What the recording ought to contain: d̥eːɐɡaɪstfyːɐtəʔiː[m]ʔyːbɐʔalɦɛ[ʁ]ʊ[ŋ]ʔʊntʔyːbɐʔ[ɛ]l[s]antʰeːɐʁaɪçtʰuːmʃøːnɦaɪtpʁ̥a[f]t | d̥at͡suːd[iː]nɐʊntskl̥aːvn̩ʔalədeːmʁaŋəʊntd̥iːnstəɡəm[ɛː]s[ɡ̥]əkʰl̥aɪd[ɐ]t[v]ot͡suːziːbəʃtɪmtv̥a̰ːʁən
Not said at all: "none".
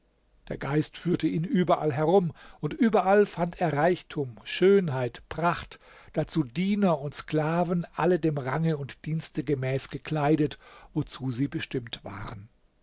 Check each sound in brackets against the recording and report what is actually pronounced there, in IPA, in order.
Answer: n, ʁ, m, a, f, χ, iː, ɛː, ɡ̥, ə, v

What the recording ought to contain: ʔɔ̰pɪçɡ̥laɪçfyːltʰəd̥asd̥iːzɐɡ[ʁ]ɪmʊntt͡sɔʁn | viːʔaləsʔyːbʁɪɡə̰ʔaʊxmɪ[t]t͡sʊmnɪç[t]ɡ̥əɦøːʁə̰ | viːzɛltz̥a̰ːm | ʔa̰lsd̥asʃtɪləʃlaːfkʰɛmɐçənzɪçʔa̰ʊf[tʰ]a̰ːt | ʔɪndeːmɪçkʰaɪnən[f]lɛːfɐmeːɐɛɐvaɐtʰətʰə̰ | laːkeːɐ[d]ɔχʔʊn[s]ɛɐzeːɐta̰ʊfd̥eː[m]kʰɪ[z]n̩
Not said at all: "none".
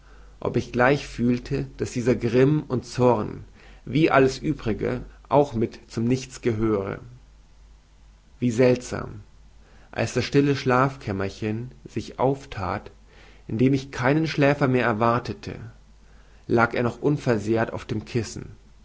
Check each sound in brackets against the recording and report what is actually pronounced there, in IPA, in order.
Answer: ʁ, t, t͡s, tʰ, ʃ, n, f, m, s

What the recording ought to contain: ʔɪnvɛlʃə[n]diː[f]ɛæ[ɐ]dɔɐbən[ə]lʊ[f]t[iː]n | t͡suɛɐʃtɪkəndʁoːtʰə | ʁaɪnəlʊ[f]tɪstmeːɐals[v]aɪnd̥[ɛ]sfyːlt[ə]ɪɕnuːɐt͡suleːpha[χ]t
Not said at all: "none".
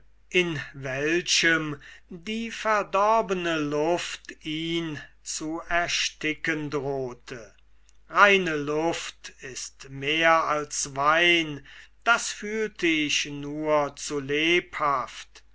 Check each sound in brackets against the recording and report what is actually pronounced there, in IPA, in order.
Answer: m, f, ɐ, ə, f, iː, f, v, a, ə, f

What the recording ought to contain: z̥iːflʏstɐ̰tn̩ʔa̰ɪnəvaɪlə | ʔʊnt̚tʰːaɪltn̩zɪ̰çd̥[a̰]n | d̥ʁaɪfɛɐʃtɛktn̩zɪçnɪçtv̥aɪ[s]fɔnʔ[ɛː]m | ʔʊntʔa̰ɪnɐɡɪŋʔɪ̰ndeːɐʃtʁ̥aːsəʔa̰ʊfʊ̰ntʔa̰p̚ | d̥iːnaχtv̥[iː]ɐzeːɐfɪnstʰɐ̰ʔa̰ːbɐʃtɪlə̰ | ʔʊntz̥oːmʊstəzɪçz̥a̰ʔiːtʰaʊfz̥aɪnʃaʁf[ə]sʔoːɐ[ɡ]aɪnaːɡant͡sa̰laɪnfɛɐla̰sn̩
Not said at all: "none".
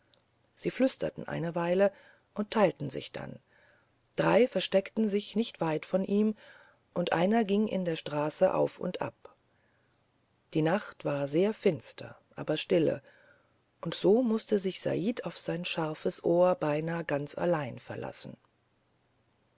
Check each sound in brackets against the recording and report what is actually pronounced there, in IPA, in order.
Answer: a̰, t, iː, aː, ə, b

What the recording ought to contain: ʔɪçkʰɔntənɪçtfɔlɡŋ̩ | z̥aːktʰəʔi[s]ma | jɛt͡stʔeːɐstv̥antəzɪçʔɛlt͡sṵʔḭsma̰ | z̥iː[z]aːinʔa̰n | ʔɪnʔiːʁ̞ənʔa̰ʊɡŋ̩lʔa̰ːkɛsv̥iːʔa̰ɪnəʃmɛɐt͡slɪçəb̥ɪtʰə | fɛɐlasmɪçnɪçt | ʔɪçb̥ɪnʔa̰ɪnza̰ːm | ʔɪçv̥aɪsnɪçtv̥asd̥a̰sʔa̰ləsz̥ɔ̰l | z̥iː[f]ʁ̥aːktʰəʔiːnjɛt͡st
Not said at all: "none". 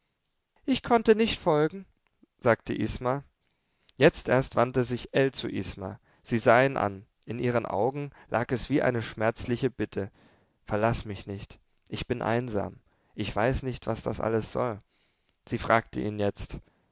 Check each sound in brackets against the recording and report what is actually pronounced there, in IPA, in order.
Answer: s, z, f

